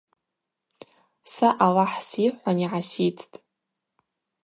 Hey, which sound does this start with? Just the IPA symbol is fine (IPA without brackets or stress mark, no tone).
s